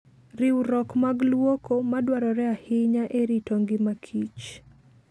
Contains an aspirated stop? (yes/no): yes